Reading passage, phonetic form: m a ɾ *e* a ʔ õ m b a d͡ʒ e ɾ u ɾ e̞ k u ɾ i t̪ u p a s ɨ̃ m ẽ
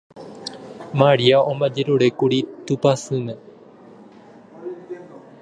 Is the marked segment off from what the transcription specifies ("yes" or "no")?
yes